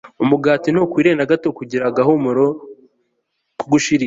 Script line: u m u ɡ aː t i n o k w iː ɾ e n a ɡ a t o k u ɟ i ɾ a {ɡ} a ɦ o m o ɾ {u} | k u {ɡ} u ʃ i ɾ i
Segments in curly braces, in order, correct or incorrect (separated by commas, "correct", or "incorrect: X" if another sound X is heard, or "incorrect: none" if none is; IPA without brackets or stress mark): correct, incorrect: o, correct